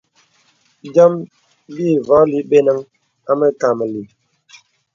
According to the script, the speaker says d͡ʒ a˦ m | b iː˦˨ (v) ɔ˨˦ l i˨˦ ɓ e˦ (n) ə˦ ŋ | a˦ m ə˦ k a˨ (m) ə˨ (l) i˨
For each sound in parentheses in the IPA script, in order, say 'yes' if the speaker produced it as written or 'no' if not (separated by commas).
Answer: yes, yes, yes, yes